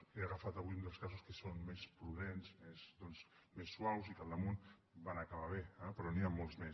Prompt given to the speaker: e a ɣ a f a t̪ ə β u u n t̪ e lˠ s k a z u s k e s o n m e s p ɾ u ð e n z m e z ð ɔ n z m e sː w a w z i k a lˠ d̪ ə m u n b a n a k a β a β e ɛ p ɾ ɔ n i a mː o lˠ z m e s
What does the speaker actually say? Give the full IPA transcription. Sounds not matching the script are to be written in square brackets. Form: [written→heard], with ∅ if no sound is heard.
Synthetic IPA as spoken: e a ɣ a f a t̪ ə β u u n [t̪→d̪] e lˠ s k a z u s k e s o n m e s p ɾ u ð e n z m e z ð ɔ n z m e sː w a w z i k a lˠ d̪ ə m u n b a n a k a β a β e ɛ p ɾ ɔ n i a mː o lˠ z m e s

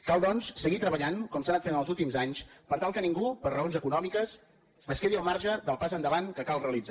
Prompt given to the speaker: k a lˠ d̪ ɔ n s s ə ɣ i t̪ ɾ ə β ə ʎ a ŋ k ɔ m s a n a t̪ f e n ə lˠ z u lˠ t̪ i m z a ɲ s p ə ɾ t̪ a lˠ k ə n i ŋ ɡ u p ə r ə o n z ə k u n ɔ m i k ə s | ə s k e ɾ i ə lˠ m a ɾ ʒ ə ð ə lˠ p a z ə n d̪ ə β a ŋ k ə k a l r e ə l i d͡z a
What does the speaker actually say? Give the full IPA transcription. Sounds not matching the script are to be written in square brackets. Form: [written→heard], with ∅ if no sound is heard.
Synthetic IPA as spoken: k a lˠ d̪ ɔ n s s ə ɣ i t̪ ɾ ə β ə ʎ a ŋ k ɔ m s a n a t̪ f e n ə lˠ z u lˠ t̪ i m z a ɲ s p ə ɾ t̪ a lˠ k ə n i ŋ ɡ u p ə r ə o n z ə k u n ɔ m i k ə s | ə s k e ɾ i ə lˠ m a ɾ ʒ ə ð ə lˠ p a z ə n d̪ ə β a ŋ k ə k a l r e ə l i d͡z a

